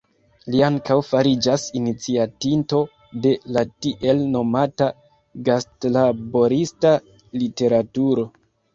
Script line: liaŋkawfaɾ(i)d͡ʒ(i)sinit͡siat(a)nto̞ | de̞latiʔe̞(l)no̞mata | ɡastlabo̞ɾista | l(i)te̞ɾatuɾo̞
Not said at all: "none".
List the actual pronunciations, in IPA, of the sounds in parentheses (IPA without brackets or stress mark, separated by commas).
i, a, i, l, i